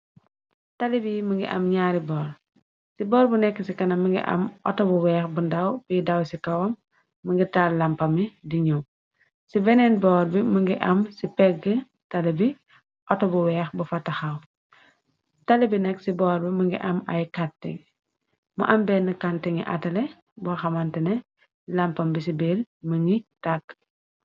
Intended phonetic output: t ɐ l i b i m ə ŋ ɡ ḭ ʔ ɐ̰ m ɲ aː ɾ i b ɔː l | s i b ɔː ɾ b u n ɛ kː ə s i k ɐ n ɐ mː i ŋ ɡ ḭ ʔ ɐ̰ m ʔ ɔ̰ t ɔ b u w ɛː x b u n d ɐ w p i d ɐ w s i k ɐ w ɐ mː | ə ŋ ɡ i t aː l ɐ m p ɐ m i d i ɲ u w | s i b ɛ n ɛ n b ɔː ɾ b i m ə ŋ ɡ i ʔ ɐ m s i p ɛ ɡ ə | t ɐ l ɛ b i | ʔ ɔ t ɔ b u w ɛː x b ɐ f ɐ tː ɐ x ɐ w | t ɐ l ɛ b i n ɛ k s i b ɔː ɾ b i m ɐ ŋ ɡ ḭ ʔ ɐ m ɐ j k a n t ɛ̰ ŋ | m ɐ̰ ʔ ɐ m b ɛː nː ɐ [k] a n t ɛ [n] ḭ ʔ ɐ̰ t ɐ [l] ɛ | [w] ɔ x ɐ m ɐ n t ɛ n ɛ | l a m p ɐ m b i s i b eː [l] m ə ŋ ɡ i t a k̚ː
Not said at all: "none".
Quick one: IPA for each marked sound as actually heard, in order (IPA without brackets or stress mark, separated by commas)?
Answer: k, ŋ, l, b, l